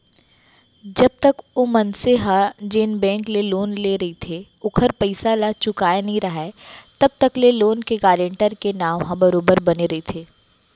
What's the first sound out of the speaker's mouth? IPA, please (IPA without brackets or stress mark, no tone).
d͡ʒ